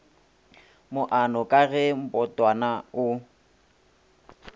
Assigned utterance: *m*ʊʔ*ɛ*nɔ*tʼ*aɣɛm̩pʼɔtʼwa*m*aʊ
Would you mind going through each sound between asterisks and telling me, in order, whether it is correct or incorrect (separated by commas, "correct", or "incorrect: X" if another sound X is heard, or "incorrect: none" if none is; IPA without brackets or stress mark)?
correct, incorrect: a, incorrect: kʼ, incorrect: n